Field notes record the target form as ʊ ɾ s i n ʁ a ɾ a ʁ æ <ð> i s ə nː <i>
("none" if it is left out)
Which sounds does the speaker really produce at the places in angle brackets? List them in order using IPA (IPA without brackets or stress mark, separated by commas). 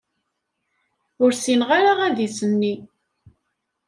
ð, i